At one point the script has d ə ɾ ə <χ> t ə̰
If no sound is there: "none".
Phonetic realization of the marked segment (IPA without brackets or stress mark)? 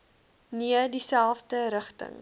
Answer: χ